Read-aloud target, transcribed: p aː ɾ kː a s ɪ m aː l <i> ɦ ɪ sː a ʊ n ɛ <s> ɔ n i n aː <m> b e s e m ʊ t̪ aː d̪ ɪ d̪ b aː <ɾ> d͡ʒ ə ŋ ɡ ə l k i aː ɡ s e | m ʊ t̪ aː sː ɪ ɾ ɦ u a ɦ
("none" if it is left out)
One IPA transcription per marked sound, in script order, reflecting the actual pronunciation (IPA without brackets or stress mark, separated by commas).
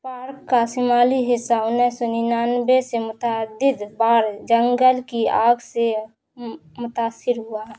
i, s, n, ɾ